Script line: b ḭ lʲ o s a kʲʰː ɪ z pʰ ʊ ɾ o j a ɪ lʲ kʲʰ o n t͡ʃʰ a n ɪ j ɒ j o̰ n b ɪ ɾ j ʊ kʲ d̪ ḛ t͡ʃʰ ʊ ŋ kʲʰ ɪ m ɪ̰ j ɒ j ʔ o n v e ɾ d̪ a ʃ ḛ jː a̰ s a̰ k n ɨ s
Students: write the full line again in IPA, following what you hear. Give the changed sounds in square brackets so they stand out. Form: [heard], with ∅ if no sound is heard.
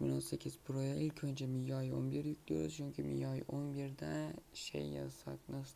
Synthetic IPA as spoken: [m] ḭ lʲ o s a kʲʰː ɪ z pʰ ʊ ɾ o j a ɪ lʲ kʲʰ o n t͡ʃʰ a [m] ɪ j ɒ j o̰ n b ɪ ɾ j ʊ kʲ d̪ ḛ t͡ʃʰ ʊ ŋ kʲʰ ɪ m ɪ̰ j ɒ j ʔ o n [b] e ɾ d̪ a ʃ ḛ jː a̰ s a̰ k n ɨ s